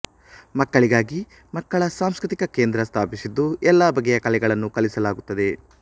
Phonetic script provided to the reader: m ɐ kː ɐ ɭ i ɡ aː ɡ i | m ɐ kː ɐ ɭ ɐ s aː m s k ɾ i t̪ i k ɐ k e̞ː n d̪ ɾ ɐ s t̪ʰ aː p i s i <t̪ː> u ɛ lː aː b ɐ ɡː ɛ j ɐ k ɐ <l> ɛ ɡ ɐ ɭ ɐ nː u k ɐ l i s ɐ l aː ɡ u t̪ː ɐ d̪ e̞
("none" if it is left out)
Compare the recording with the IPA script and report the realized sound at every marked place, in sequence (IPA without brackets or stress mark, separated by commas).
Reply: d̪ː, l